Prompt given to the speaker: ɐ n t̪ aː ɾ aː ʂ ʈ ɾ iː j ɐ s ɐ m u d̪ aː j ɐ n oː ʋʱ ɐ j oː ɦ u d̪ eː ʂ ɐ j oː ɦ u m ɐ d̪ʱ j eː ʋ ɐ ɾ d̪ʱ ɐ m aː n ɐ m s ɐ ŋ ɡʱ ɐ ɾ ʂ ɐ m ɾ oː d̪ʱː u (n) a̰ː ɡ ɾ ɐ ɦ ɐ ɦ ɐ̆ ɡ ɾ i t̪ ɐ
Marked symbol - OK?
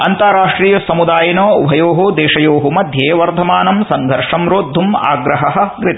no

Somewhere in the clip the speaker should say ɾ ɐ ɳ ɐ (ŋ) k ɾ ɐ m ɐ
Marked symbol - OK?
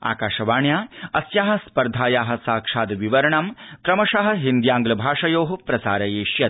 no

